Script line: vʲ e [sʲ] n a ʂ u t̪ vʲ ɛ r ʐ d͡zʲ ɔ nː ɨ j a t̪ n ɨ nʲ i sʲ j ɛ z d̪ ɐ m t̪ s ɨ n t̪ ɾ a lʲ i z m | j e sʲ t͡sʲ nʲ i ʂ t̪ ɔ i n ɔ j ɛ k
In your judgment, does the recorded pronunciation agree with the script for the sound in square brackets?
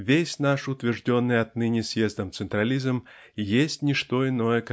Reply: yes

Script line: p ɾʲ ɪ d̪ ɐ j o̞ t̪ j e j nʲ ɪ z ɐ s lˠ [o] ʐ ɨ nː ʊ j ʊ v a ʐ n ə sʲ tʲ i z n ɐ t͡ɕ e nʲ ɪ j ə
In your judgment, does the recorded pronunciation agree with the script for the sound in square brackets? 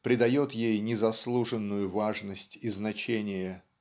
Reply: no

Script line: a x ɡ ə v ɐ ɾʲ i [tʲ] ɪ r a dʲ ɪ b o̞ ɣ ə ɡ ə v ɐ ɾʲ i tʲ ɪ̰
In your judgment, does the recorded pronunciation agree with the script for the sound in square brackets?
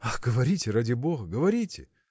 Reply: yes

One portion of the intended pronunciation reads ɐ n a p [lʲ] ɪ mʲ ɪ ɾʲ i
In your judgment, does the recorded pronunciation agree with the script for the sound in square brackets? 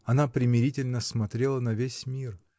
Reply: no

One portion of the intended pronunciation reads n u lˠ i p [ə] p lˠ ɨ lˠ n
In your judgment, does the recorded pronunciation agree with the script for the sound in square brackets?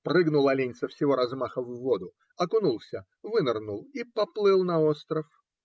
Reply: no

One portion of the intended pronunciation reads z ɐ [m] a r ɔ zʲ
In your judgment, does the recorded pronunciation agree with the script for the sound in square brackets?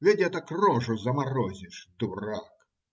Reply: yes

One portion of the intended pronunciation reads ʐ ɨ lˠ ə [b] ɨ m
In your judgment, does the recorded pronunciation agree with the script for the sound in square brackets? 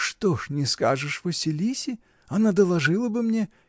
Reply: yes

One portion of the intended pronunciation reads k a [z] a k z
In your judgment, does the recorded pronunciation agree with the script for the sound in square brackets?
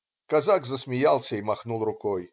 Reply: yes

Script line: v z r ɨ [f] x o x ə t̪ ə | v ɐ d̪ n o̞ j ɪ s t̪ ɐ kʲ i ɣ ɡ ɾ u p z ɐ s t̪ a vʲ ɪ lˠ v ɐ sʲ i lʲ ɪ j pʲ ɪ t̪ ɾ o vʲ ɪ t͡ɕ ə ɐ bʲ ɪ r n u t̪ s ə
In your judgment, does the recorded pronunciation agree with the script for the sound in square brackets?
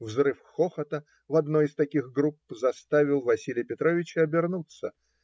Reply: yes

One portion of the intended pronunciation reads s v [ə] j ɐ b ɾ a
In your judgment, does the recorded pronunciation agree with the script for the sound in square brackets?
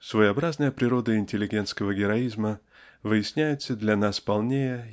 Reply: yes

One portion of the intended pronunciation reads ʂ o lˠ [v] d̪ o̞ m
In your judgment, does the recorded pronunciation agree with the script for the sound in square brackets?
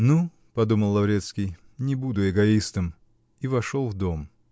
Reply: yes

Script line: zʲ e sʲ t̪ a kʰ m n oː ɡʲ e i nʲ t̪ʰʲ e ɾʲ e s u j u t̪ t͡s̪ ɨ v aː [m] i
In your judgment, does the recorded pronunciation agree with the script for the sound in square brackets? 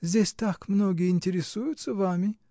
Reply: yes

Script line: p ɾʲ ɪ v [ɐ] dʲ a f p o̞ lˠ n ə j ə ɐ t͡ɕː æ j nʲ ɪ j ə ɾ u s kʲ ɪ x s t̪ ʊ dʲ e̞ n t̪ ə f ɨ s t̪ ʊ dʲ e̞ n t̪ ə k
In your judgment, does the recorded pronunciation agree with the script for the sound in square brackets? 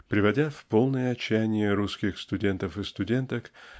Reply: yes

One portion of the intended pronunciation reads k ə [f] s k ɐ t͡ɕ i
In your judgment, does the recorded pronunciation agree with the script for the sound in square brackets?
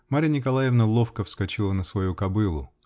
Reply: yes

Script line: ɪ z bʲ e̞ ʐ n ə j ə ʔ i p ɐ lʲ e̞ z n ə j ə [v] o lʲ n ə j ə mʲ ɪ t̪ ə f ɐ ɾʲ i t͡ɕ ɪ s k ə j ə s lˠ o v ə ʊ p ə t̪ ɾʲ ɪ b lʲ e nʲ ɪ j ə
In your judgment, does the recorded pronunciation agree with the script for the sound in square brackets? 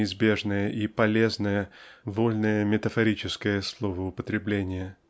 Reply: yes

